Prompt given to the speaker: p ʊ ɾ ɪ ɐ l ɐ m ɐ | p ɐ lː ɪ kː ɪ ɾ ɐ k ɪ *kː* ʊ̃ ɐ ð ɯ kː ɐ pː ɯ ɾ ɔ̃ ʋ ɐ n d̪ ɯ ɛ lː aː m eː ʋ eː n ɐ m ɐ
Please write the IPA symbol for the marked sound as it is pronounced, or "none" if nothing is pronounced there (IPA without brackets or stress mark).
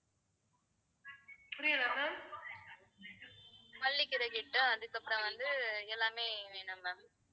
ʈː